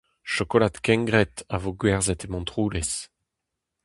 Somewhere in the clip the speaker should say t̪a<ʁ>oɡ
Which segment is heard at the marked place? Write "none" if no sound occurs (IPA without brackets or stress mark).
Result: v